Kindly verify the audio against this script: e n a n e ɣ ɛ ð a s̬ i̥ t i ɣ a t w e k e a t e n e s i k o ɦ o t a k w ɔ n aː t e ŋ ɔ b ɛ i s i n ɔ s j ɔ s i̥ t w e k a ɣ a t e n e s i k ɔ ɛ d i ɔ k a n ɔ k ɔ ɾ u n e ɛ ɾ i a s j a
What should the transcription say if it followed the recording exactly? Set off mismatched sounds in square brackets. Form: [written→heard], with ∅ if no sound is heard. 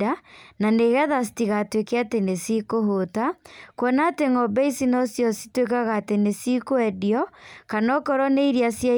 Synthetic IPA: [e→a] n a n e ɣ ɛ ð a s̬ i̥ t i ɣ a t w e k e a t e n e s i k o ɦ o t a k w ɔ n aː t e ŋ ɔ b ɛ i s i n ɔ s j ɔ s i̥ t w e k a ɣ a t e n e s i k [ɔ→o] ɛ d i ɔ k a n ɔ k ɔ ɾ [u→ɔ] n e [ɛ→i] ɾ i a s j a